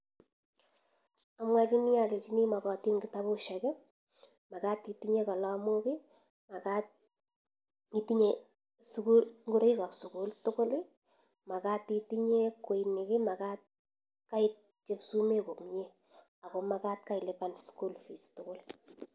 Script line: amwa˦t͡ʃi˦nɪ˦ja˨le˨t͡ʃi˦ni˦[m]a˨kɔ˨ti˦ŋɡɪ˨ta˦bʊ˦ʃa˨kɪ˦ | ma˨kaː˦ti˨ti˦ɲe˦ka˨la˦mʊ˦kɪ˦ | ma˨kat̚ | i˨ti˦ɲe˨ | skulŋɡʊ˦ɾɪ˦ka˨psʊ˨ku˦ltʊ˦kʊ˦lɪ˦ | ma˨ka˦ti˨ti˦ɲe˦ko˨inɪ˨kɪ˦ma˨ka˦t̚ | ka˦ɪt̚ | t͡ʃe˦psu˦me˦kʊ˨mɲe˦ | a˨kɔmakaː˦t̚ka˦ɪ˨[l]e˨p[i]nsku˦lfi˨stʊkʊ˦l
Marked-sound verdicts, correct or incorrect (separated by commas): correct, correct, incorrect